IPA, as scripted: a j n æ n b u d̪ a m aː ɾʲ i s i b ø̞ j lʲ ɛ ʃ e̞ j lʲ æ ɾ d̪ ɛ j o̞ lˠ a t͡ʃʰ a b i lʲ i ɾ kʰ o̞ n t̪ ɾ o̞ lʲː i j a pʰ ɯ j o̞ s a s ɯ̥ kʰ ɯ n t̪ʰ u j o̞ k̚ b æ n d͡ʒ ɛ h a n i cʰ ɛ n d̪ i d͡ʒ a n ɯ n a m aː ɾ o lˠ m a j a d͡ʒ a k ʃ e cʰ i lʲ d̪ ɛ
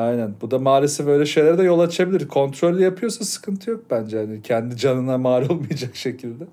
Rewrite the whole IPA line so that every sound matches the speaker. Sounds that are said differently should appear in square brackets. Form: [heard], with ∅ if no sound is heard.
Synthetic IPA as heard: a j n æ n b u d̪ a m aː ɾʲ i s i b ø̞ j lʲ ɛ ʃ e̞ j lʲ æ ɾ d̪ ɛ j o̞ lˠ a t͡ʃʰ a b i lʲ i ɾ kʰ o̞ n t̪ ɾ o̞ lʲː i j a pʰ ɯ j o̞ s a s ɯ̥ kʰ ɯ n t̪ʰ [ɯ] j o̞ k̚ b æ n d͡ʒ ɛ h a n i cʰ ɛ n d̪ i d͡ʒ a n ɯ n a m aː ɾ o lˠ m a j a d͡ʒ a k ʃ e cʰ i lʲ d̪ ɛ